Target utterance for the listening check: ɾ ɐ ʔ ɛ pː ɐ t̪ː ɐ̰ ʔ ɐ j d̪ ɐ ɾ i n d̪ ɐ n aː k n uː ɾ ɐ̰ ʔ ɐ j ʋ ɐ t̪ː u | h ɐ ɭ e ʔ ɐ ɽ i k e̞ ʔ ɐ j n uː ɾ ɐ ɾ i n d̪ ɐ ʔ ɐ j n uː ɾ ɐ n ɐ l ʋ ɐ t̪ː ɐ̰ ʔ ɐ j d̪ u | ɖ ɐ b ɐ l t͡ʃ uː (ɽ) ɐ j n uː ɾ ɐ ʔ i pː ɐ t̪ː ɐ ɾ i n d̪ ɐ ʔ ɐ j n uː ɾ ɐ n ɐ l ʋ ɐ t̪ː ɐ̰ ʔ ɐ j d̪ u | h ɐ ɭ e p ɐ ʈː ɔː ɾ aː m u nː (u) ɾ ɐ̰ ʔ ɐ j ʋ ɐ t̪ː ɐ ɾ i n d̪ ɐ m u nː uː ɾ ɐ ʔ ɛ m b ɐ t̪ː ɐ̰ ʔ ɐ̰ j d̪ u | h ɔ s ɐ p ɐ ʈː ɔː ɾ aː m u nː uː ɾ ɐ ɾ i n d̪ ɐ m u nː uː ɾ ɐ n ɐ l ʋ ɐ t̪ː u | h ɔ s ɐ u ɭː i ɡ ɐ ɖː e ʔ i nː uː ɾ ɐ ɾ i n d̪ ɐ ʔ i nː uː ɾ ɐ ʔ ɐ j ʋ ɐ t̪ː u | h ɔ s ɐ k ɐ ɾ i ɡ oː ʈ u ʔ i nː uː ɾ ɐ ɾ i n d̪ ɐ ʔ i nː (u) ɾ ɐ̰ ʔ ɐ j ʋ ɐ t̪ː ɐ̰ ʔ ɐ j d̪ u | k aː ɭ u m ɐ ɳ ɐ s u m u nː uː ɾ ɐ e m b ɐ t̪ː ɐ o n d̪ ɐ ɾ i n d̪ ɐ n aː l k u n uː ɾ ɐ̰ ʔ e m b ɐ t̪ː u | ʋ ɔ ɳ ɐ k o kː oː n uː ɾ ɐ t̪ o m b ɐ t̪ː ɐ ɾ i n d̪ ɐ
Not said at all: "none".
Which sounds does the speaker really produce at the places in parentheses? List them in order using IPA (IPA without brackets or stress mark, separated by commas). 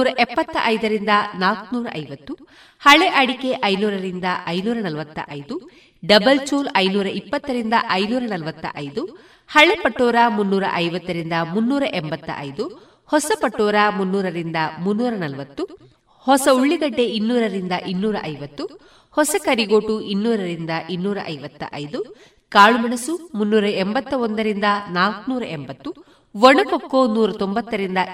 l, uː, uː